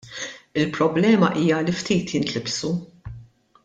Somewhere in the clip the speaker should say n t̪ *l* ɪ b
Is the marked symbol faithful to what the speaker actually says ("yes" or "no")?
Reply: yes